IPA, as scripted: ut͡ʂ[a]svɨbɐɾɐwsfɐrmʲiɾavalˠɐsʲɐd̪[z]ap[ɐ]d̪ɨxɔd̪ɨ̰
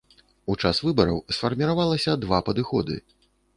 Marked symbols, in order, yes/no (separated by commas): yes, no, yes